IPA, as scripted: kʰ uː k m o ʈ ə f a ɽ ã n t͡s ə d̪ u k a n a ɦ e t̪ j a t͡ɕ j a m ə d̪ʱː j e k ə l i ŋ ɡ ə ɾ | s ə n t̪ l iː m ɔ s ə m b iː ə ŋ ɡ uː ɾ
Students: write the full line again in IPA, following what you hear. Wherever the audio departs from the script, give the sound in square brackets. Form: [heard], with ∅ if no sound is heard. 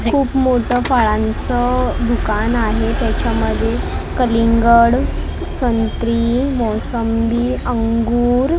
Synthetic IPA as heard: kʰ uː [p] m o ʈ ə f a [ɭ] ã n t͡s ə d̪ u k a n a ɦ e t̪ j a t͡ɕ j a m ə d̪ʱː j e k ə l i ŋ ɡ ə [ɽ] | s ə n t̪ [ɾ] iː m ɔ s ə m b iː ə ŋ ɡ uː ɾ